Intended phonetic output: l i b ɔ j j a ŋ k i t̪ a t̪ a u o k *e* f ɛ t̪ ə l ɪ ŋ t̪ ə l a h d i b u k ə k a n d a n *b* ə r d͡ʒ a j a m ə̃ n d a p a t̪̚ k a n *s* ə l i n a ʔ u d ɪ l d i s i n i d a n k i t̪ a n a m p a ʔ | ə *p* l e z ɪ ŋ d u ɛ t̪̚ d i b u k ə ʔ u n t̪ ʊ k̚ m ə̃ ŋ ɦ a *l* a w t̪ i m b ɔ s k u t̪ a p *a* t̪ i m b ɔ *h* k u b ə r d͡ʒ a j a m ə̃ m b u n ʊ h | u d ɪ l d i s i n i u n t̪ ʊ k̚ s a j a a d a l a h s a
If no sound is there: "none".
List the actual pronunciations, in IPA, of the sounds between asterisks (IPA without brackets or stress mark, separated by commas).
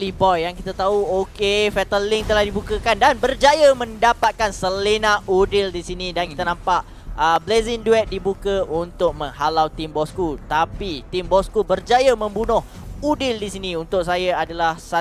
e, b, s, b, l, i, s